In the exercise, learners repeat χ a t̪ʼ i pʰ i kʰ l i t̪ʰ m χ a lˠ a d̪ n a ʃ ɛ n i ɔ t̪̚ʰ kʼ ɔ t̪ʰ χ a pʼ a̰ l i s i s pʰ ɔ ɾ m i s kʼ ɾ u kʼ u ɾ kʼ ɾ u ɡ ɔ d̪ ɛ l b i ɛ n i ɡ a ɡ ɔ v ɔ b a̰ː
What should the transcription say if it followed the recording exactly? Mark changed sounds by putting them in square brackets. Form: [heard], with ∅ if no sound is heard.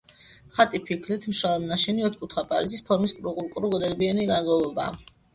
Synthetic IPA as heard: χ a t̪ʼ i pʰ i kʰ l i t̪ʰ m [ʃ] a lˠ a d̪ n a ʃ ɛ n i ɔ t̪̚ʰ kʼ [u] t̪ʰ χ a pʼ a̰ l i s i s pʰ ɔ ɾ m i s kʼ ɾ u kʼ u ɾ kʼ ɾ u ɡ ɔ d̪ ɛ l b i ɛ n i ɡ a ɡ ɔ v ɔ b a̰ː

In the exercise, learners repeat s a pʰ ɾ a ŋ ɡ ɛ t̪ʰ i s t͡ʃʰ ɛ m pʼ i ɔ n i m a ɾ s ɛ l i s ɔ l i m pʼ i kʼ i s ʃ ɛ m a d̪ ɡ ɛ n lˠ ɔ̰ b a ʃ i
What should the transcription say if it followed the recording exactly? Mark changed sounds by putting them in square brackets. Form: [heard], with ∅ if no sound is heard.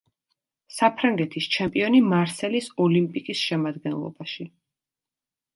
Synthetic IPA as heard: s a pʰ ɾ a ŋ ɡ ɛ t̪ʰ i s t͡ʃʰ ɛ m pʼ i ɔ n i m a ɾ s ɛ l i s ɔ l i m pʼ i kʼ i s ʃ ɛ m a d̪ ɡ ɛ n lˠ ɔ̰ b a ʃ i

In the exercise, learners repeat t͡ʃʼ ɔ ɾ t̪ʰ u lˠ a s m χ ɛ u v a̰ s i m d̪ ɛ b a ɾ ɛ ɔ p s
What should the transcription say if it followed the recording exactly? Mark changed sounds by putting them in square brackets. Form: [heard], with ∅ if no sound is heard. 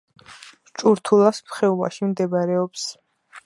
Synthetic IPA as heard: t͡ʃʼ [u] ɾ t̪ʰ u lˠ a s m χ ɛ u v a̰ [ʃ] i m d̪ ɛ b a ɾ ɛ ɔ p s

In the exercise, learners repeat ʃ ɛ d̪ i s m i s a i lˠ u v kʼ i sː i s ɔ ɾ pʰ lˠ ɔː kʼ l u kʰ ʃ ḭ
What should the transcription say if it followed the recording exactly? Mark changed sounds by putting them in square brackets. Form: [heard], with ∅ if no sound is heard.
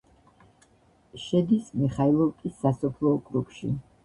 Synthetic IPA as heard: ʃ ɛ d̪ i s m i [χ] a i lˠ [ɔ] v kʼ i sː [a] s ɔ [∅] pʰ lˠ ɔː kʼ [ɾ] u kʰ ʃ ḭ

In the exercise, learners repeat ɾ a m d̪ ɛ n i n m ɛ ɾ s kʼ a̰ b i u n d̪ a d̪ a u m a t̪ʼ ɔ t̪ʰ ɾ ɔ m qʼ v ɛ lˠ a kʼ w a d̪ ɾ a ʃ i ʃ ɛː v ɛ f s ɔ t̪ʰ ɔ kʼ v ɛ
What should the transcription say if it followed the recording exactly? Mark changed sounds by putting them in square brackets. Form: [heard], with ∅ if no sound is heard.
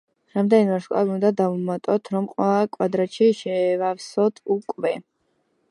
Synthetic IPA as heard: ɾ a m d̪ ɛ n i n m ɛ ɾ [ʃ] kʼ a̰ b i u n d̪ a d̪ a u m a t̪ʼ ɔ t̪ʰ ɾ ɔ m qʼ [w] ɛ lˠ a kʼ w a d̪ ɾ a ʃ i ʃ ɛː v [a] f s ɔ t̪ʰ [u] kʼ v ɛ

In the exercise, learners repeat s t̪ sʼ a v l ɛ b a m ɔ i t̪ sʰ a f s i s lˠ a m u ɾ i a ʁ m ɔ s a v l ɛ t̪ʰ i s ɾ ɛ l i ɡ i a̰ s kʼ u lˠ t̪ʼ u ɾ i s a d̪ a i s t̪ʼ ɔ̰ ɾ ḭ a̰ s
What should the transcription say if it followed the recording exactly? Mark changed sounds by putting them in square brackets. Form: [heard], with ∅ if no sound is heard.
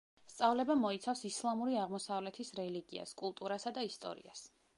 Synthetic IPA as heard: s t̪ sʼ a v l ɛ b a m ɔ i t̪ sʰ a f s i s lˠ a m u ɾ i a ʁ m ɔ s a v l ɛ t̪ʰ i s ɾ ɛ l i ɡ i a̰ s kʼ u lˠ t̪ʼ u ɾ [a] s a d̪ a i s t̪ʼ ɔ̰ ɾ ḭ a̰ s

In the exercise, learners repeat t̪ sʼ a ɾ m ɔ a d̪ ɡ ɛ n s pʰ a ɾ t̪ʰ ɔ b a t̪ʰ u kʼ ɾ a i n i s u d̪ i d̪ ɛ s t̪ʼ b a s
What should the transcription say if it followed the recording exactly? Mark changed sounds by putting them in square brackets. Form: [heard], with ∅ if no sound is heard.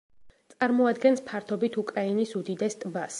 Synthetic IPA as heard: t̪ sʼ a ɾ m ɔ a d̪ ɡ ɛ n s pʰ a ɾ t̪ʰ ɔ b [i] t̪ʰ u kʼ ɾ a i n i s u d̪ i d̪ ɛ s t̪ʼ b a s

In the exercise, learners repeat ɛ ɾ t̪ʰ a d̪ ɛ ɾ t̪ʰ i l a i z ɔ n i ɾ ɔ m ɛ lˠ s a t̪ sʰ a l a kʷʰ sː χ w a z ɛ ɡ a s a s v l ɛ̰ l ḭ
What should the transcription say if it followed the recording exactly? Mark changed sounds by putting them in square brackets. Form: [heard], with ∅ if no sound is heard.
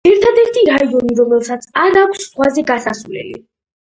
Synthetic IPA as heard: ɛ ɾ t̪ʰ a d̪ ɛ ɾ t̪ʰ i [ɾ] a i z ɔ n i ɾ ɔ m ɛ lˠ s a t̪ sʰ a [ɾ] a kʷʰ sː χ w a z ɛ ɡ a s a s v l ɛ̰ l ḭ

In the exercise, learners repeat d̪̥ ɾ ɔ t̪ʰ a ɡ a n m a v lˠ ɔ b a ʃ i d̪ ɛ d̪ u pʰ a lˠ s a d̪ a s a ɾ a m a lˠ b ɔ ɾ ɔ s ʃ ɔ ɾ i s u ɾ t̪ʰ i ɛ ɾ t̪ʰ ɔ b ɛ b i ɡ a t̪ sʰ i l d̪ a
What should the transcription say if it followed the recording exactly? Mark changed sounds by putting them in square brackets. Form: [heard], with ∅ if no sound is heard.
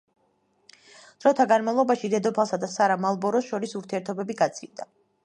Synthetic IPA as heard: d̪̥ ɾ ɔ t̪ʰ a ɡ a n m a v lˠ ɔ b a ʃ i d̪ ɛ d̪ [ɔ] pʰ a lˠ s a d̪ a s a ɾ a m a lˠ b ɔ ɾ ɔ s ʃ ɔ ɾ i s u ɾ t̪ʰ i ɛ ɾ t̪ʰ ɔ b ɛ b i ɡ a t̪ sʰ i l d̪ a

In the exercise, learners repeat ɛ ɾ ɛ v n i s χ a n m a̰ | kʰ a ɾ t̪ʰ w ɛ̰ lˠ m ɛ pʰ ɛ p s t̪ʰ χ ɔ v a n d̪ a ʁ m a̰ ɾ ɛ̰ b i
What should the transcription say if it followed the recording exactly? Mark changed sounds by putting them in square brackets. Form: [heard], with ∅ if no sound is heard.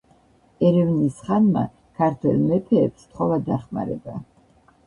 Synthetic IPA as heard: ɛ ɾ ɛ v n i s χ a n m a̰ | kʰ a ɾ t̪ʰ w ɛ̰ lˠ m ɛ pʰ [ɛː] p s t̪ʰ χ ɔ v a [∅] d̪ a [χ] m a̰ ɾ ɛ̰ b [a]

